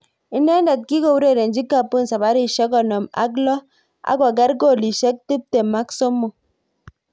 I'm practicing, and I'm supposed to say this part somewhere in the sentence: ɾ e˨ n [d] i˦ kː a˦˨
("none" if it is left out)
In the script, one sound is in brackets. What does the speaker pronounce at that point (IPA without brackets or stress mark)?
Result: d͡ʒ